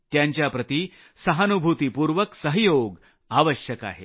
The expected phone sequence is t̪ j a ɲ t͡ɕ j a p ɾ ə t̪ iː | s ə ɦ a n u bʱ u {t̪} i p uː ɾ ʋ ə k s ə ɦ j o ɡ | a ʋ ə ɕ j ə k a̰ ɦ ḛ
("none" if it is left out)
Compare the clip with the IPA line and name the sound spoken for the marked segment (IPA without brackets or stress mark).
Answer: t̪